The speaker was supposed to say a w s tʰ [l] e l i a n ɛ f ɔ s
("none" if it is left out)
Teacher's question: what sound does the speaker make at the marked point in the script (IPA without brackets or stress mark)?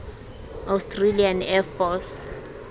r